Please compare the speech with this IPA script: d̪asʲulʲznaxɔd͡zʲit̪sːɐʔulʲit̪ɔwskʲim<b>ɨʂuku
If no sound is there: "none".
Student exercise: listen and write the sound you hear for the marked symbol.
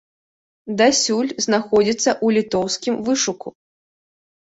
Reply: v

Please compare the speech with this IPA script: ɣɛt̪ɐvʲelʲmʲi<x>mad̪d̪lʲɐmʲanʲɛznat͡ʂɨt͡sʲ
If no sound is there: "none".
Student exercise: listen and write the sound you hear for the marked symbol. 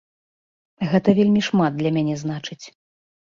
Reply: ʂ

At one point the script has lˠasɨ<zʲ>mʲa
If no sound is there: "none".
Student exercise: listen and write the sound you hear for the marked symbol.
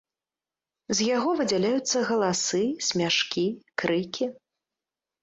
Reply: sʲ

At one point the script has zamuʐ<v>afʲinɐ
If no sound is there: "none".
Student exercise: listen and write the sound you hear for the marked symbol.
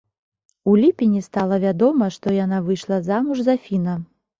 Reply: z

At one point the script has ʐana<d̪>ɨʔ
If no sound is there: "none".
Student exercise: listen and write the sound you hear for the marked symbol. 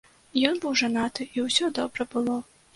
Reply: t̪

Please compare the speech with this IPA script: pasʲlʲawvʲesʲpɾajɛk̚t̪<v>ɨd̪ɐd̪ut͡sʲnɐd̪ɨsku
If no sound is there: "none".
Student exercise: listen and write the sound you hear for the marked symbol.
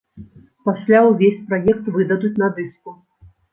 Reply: v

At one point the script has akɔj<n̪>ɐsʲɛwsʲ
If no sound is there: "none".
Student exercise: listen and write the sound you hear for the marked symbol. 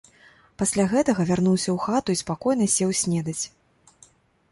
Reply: n̪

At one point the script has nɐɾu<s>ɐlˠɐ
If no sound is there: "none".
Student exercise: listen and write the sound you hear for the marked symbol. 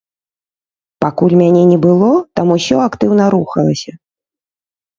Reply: x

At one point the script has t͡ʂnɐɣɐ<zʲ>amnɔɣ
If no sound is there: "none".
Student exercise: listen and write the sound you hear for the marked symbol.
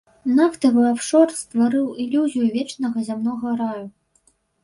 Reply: zʲ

